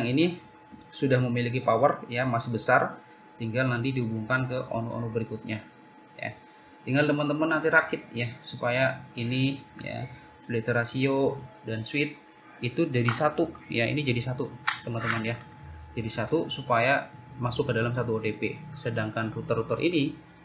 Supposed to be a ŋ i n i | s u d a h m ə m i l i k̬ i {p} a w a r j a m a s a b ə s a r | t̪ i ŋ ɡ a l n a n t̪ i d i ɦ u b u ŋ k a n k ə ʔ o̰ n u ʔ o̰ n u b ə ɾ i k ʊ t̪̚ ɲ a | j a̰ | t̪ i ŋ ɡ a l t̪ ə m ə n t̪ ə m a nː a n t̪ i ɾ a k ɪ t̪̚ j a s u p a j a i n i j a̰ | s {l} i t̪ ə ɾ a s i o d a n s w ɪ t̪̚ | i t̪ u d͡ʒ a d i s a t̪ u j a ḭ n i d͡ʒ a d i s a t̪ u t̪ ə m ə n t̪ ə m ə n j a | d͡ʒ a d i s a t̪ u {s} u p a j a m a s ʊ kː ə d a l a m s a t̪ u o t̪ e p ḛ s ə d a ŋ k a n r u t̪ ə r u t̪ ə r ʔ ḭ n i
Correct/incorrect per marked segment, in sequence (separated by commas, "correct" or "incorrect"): correct, correct, correct